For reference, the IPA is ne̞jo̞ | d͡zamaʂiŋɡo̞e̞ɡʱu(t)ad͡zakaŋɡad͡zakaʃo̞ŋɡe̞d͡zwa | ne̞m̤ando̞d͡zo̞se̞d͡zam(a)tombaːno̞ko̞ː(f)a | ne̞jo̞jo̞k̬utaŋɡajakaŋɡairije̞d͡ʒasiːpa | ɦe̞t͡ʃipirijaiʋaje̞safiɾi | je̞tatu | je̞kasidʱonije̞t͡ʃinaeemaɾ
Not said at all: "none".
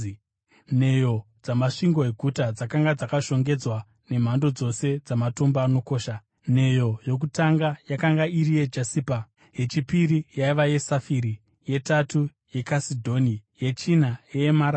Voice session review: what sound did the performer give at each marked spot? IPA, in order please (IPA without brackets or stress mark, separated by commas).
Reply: t, a, ʃ